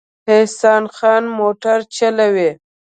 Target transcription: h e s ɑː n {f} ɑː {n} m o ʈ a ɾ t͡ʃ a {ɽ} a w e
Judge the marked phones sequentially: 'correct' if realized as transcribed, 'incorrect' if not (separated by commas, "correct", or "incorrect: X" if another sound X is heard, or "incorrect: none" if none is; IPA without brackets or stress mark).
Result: incorrect: x, correct, incorrect: l